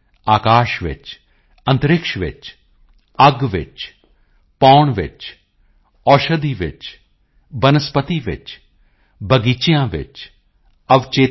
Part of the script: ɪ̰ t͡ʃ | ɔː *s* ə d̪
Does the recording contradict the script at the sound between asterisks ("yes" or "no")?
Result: yes